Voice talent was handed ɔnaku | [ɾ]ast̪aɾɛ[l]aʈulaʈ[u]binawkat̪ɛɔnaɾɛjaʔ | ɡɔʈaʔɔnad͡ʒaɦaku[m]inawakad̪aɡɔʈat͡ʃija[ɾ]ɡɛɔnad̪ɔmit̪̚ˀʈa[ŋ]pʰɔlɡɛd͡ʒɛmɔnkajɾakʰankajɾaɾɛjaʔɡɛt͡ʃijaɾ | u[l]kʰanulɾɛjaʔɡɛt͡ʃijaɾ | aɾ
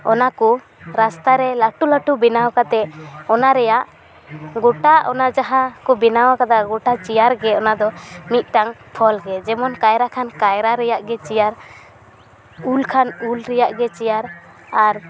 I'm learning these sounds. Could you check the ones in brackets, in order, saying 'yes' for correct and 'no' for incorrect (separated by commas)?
yes, yes, yes, no, yes, yes, yes